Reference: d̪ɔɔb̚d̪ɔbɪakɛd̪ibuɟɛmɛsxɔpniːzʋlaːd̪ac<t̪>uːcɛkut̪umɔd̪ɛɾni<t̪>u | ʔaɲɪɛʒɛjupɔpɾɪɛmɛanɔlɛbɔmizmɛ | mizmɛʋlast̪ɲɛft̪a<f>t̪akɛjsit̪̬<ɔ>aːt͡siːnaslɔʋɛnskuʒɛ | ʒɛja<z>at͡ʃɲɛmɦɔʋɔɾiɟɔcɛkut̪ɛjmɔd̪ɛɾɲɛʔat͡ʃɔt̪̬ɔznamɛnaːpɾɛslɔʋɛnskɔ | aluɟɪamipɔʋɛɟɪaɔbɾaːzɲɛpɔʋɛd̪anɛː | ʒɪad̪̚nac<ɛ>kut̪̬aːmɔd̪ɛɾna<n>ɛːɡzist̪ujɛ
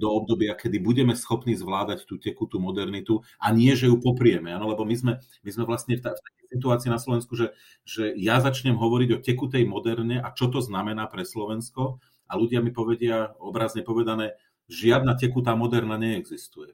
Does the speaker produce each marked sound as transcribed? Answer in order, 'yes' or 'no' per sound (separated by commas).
yes, yes, yes, no, yes, yes, no